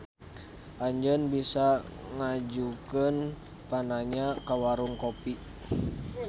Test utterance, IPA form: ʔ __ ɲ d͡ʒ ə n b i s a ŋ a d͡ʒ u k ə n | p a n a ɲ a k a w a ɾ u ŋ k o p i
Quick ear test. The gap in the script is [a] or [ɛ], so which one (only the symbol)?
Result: a